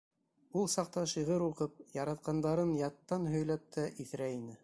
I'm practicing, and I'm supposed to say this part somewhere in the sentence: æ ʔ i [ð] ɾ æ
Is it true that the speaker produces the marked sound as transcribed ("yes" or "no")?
no